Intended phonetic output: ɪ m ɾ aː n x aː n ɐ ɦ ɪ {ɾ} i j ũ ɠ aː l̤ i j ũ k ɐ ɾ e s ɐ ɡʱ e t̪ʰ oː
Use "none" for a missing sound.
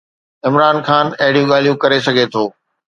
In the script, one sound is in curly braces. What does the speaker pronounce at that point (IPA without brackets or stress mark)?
ɽ